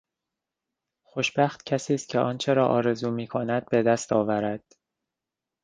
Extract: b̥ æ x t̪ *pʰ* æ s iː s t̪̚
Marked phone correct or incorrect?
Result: incorrect